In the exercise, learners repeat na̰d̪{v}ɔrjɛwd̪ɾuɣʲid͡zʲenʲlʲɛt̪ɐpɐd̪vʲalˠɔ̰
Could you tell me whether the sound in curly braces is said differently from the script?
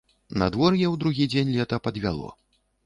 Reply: no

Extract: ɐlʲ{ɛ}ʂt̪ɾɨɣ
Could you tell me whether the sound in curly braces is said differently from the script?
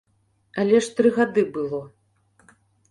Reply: no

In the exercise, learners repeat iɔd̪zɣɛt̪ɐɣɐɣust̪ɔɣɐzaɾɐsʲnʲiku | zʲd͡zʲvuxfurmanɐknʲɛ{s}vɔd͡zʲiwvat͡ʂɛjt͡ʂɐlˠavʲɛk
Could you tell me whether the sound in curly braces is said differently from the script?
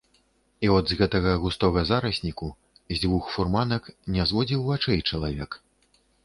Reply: yes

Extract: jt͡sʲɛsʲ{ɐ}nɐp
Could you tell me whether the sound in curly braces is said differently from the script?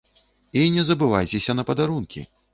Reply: no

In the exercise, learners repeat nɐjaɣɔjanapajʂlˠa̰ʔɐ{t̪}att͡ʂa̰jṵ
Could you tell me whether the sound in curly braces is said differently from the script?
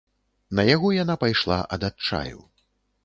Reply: yes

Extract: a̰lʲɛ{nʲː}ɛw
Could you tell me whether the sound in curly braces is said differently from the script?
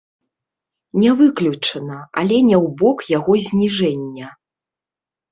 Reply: yes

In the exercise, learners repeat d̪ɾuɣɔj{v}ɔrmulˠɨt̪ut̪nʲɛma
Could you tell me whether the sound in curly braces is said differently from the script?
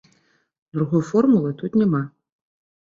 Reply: yes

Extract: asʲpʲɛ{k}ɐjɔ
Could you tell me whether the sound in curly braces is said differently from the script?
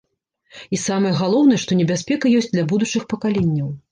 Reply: no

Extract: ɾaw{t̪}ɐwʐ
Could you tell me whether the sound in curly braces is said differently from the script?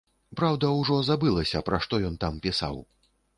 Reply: yes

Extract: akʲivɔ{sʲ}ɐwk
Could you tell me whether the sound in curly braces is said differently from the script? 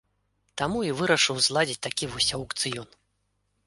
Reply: no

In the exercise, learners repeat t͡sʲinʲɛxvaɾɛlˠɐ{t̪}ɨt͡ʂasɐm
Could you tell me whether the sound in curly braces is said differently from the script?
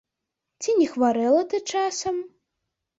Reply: no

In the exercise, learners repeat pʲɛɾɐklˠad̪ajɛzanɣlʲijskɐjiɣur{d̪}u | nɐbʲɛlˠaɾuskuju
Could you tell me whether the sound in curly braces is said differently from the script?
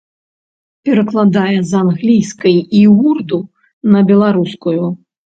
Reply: no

